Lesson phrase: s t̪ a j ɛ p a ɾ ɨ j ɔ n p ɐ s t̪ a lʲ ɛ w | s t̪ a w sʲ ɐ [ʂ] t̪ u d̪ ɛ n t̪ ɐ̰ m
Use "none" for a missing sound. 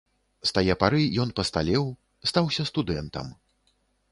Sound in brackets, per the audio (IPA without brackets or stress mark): s